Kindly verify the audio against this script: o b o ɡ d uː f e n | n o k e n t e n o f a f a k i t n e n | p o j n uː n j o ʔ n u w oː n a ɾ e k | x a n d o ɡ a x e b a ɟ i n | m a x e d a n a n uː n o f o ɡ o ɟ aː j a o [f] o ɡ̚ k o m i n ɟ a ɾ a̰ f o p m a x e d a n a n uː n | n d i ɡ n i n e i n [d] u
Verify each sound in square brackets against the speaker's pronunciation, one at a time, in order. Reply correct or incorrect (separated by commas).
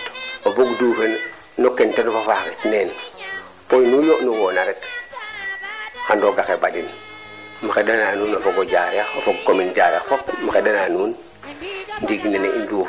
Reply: correct, correct